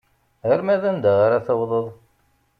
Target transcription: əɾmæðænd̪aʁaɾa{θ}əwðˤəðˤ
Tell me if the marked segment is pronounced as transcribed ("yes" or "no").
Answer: yes